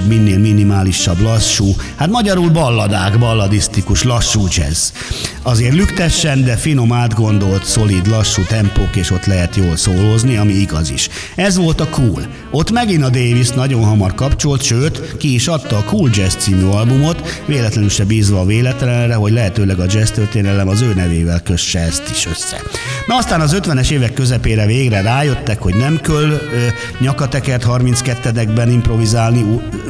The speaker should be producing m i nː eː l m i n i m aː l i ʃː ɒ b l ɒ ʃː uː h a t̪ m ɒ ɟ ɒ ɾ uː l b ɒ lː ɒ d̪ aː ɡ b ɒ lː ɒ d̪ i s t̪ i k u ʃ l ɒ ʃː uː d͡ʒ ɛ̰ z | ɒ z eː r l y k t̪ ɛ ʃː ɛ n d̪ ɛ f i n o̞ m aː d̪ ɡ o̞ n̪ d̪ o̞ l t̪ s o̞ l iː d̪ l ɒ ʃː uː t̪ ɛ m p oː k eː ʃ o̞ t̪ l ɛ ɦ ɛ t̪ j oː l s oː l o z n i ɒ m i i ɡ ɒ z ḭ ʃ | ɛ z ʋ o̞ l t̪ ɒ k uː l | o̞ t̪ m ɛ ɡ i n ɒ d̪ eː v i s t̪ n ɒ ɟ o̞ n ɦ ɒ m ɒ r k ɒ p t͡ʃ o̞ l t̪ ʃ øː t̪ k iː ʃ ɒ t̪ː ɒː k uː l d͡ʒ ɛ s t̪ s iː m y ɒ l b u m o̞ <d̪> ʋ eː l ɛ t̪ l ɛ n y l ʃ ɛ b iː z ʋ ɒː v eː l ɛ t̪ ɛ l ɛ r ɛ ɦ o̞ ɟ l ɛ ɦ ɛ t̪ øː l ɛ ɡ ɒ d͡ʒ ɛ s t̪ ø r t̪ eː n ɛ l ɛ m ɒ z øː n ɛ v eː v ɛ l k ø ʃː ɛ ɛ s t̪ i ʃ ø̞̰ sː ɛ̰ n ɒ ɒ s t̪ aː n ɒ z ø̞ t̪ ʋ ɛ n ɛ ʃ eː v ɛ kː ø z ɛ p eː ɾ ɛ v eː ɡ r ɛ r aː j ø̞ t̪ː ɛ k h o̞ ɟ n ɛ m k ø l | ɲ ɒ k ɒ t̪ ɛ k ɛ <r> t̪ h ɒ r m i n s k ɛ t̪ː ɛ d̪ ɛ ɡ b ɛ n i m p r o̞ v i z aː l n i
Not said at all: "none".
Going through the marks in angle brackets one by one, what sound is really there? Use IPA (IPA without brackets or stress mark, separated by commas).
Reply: t̪, r